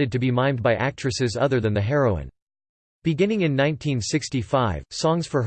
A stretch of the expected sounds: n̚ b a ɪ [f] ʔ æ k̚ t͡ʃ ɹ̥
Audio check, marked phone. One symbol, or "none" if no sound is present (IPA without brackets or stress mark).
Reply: none